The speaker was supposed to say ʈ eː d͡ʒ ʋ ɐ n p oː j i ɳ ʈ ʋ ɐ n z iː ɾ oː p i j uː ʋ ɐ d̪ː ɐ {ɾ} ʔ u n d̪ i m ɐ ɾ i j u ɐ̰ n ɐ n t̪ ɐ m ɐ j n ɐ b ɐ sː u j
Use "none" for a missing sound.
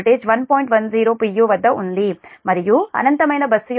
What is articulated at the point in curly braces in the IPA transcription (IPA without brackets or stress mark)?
none